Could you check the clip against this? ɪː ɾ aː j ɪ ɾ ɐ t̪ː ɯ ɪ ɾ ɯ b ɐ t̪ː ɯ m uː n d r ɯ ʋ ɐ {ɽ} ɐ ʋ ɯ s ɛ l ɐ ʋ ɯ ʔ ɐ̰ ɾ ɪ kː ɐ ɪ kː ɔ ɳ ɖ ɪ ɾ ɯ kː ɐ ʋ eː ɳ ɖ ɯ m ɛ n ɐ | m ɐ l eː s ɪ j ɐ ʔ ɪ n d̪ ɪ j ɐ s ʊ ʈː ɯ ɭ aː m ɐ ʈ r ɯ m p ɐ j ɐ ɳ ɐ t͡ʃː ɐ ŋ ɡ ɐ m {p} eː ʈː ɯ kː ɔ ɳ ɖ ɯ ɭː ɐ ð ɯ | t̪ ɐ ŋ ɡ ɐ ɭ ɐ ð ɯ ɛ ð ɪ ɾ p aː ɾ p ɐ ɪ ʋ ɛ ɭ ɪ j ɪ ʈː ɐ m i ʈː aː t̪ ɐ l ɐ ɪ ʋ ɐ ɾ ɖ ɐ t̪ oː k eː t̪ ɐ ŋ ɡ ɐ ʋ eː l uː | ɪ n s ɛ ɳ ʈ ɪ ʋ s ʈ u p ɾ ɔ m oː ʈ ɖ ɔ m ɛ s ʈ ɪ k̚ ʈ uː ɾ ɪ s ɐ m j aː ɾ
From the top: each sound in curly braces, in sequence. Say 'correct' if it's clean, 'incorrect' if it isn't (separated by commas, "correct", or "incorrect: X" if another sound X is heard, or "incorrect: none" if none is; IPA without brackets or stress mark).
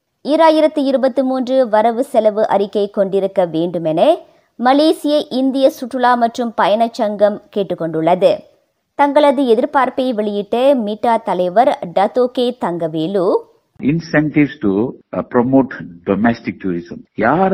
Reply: incorrect: ɾ, incorrect: k